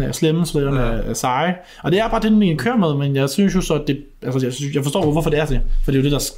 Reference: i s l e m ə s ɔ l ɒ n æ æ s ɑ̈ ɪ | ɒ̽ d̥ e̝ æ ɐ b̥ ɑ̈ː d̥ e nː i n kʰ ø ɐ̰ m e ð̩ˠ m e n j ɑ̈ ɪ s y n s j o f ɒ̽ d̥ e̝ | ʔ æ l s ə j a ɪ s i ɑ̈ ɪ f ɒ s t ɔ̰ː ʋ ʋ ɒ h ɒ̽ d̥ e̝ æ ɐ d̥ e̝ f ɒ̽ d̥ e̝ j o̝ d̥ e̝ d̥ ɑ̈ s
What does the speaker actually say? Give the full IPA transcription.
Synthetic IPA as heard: æ s l e m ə s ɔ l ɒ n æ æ s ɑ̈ ɪ | ɒ̽ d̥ e̝ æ ɐ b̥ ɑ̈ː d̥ e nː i n kʰ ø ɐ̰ m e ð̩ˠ m e n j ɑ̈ ɪ s y n s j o s ɒ̽ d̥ e̝ | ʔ æ l s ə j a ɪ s j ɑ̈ ɪ f ɒ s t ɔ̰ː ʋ ʋ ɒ f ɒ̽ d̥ e̝ æ ɐ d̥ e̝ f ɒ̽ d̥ e̝ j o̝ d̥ e̝ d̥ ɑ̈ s